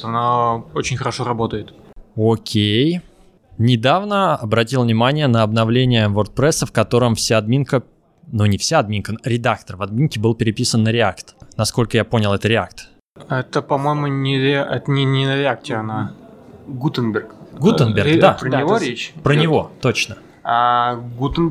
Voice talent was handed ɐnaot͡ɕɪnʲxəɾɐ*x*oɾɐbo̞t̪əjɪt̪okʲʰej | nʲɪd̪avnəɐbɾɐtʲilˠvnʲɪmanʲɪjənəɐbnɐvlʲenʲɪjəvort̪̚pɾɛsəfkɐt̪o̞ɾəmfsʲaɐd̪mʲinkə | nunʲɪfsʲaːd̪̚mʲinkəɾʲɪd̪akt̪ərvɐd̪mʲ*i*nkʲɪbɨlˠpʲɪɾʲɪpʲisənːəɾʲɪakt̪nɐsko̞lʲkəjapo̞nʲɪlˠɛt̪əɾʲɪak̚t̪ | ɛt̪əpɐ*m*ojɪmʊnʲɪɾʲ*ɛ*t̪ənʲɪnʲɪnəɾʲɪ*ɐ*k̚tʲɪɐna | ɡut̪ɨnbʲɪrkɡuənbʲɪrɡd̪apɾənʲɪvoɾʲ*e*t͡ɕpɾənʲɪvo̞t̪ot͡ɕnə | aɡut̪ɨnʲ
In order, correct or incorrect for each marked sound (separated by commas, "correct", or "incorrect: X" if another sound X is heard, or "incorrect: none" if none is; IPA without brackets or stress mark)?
incorrect: ʂ, correct, correct, correct, incorrect: a, correct